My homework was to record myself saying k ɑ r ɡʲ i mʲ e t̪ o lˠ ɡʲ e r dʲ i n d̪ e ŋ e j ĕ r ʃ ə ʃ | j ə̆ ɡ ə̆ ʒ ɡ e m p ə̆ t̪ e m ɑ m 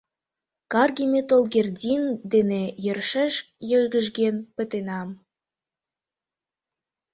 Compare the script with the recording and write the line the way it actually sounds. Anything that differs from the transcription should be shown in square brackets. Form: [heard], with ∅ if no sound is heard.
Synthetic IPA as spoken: k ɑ r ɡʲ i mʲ e t̪ o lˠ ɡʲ e r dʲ i n d̪ e [n] e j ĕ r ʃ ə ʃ | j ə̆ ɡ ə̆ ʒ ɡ e [n] p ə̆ t̪ e [n] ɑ m